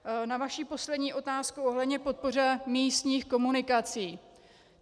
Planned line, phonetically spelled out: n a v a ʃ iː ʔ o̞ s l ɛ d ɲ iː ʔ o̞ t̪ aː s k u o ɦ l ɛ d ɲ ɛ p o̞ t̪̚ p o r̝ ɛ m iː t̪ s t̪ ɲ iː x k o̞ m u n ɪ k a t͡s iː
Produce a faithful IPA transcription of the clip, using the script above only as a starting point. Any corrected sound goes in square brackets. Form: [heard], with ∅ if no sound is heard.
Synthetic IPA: n a v a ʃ iː [p] o̞ s l ɛ d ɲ iː ʔ o̞ t̪ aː s k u o ɦ l ɛ d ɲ ɛ p o̞ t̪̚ p o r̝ ɛ m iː [∅] s t̪ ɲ iː x k o̞ m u n ɪ k a t͡s iː